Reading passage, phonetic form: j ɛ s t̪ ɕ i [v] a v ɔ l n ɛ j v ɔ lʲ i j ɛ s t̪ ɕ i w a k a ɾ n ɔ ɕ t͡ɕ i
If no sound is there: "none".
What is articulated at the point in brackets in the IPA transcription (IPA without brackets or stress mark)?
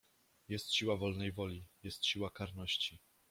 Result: w